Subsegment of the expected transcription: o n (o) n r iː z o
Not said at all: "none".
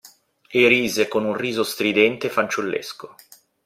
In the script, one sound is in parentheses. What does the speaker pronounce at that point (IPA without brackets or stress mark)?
u